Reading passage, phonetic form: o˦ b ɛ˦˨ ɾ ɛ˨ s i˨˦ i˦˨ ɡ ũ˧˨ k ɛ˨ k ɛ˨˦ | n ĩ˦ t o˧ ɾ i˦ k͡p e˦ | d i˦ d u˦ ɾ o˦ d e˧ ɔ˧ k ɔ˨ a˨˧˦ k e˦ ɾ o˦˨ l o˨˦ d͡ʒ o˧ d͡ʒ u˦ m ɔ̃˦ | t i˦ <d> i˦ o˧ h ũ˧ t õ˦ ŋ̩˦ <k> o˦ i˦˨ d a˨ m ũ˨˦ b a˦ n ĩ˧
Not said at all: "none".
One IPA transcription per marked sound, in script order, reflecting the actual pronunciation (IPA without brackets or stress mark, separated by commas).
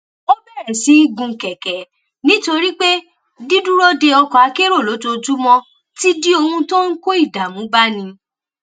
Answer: d, k